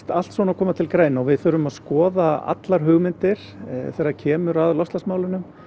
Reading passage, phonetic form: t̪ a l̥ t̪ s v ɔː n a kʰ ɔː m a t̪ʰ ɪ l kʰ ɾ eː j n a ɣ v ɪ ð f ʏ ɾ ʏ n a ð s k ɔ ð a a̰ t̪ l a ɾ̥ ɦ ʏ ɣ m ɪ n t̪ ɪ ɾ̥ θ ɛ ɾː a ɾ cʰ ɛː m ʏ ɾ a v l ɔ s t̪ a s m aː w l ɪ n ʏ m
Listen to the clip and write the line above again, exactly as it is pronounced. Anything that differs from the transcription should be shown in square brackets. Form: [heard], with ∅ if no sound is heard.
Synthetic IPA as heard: t̪ a l̥ t̪ s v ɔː n a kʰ ɔː m a t̪ʰ ɪ l [k] ɾ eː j n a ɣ v ɪ ð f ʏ ɾ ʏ [m] a ð s k [ɔː] ð a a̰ t̪ l a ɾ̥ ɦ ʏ ɣ m ɪ n t̪ ɪ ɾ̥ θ ɛ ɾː a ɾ cʰ ɛː m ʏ ɾ a [ð] l ɔ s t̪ a s m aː w l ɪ n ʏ m